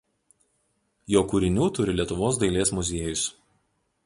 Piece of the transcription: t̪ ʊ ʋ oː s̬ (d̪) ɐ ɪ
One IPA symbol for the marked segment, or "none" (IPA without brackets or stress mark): d̪